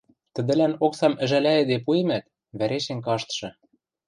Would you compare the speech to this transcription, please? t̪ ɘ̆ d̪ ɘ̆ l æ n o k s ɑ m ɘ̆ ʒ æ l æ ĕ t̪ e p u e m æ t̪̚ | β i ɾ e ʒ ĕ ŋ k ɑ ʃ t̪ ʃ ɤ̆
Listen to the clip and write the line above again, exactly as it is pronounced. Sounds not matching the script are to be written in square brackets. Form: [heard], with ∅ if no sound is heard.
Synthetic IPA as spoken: t̪ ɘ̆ d̪ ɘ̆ l æ n o k s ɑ m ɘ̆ ʒ æ l æ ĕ [d̪] e p u e m æ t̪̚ | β [æ] ɾ e [ʃ] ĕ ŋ k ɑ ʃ t̪ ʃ ɤ̆